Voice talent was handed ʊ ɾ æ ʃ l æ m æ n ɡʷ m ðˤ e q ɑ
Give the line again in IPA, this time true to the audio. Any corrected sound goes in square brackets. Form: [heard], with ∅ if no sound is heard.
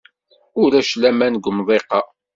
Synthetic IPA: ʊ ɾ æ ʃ l æ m æ n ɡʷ m ðˤ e q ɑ